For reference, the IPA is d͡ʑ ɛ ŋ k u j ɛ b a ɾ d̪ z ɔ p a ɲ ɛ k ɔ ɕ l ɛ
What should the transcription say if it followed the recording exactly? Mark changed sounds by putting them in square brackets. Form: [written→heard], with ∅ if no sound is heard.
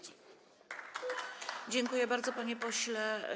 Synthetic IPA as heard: d͡ʑ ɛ ŋ k u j ɛ b a ɾ d̪ z ɔ p a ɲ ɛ [k→p] ɔ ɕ l ɛ